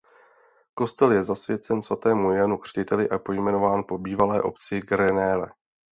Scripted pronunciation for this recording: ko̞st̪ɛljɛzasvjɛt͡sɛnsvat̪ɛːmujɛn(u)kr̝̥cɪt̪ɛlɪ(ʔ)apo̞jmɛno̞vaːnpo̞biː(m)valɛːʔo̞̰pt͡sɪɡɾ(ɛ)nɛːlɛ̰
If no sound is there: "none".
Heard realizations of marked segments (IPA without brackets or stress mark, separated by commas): u, ʔ, none, ɛ